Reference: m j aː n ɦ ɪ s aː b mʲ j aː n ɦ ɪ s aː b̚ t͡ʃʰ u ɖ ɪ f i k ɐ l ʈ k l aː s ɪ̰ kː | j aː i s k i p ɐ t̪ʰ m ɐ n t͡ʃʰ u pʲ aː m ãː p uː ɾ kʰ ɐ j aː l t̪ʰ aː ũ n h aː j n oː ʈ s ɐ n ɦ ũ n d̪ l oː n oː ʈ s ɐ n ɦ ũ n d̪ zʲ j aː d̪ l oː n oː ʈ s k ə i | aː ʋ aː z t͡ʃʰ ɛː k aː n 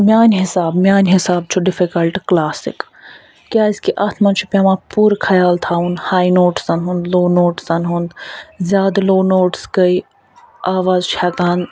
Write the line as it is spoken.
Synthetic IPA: m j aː n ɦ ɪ s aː b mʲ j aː n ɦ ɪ s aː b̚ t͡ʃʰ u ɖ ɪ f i k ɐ l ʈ k l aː s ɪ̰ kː | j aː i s k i ʔ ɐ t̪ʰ m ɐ n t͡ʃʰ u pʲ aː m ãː p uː ɾ kʰ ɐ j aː l t̪ʰ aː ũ n h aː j n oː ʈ s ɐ n ɦ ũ n d̪ l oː n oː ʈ s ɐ n ɦ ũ n d̪ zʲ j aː d̪ l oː n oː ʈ s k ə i | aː ʋ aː z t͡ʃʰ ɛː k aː n